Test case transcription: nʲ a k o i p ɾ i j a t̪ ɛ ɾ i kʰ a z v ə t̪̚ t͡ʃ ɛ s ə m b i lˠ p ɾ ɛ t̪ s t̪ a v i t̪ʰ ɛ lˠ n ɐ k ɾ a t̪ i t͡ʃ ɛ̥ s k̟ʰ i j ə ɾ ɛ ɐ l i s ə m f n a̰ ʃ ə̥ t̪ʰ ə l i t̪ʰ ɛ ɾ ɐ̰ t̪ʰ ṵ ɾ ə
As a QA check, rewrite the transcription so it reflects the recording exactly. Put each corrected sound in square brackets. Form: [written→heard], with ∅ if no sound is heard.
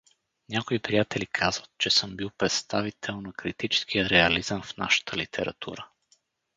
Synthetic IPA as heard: nʲ a k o i p ɾ i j a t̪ ɛ [ɾ→l] i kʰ a z v ə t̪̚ t͡ʃ ɛ s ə m b i lˠ p ɾ ɛ t̪ s t̪ a v i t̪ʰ ɛ lˠ n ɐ k ɾ [a→i] t̪ i t͡ʃ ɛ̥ s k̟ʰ i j ə ɾ ɛ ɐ l i [s→z] ə m f n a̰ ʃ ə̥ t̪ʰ ə l i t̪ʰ ɛ ɾ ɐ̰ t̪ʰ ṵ ɾ ə